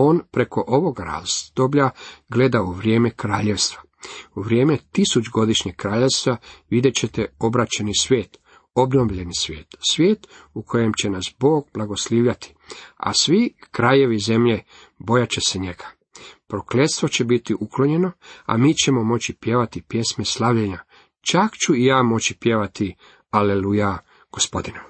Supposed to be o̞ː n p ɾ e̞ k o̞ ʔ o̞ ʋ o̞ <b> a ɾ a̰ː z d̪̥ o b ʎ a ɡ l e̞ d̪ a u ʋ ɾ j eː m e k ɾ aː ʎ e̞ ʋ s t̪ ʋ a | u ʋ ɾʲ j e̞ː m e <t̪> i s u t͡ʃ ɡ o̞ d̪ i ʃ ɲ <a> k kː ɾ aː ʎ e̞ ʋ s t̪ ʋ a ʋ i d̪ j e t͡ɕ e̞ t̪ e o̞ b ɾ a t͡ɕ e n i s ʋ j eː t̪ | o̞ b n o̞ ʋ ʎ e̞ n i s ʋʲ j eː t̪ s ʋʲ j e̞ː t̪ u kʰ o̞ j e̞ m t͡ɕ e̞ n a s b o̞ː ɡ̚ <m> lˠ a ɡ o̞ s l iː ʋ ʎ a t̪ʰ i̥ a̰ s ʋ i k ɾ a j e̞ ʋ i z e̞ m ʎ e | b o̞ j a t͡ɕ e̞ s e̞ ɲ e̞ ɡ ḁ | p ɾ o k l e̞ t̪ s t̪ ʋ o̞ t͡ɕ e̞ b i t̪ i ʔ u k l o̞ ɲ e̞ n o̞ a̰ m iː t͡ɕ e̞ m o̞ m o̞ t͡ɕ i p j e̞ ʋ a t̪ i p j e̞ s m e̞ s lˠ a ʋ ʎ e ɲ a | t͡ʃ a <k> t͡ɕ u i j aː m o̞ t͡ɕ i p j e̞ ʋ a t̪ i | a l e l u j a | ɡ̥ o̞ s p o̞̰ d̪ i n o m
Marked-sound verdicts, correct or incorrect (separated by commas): incorrect, correct, incorrect, incorrect, correct